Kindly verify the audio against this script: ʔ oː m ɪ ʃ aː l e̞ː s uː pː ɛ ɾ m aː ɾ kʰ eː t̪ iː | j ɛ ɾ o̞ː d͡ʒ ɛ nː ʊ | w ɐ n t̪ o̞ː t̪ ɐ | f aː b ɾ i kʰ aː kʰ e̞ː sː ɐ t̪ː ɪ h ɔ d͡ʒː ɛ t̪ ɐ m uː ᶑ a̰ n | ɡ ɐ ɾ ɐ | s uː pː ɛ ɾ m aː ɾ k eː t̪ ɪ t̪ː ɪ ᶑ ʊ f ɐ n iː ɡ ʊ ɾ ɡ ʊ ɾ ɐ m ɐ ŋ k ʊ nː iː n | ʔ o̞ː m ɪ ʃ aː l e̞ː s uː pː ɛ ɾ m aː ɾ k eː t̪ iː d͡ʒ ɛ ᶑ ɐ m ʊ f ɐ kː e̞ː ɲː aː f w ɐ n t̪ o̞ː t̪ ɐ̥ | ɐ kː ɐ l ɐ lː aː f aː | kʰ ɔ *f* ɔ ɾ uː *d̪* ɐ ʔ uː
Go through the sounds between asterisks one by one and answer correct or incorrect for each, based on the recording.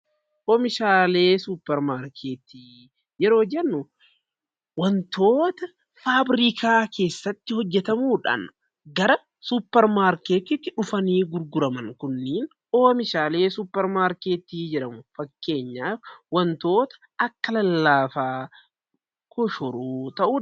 incorrect, incorrect

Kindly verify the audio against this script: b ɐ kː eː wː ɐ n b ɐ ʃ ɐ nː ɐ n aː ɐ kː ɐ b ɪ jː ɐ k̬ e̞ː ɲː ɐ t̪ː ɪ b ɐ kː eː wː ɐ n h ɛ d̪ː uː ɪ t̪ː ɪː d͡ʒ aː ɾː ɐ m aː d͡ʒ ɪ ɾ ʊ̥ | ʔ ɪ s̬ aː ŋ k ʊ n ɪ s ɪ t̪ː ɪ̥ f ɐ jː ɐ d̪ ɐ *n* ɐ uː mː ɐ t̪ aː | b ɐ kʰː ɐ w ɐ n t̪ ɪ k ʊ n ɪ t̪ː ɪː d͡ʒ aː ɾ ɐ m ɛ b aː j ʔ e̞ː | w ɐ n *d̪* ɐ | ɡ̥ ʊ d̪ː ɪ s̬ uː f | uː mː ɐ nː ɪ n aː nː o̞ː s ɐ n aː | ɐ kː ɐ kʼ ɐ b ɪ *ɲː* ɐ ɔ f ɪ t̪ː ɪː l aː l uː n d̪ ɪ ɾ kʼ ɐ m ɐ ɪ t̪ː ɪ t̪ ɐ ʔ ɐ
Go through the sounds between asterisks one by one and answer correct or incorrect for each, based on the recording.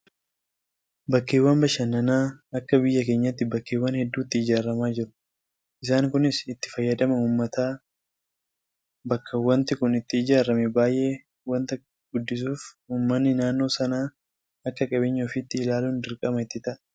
incorrect, incorrect, correct

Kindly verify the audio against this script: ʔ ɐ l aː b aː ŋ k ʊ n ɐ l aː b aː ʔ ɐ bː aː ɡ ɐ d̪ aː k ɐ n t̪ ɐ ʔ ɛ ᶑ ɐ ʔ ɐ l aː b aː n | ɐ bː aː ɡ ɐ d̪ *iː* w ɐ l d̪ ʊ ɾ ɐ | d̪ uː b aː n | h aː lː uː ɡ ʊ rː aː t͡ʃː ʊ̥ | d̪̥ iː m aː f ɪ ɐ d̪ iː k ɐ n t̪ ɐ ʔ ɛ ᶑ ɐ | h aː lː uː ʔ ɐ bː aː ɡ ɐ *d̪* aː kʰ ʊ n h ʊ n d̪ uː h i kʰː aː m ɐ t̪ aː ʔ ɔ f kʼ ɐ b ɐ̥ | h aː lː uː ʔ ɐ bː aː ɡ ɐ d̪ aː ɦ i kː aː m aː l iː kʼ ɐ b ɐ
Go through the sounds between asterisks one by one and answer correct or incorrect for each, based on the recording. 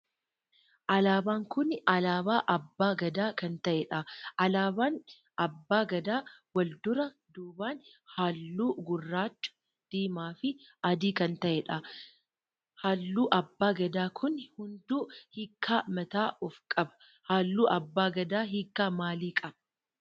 incorrect, correct

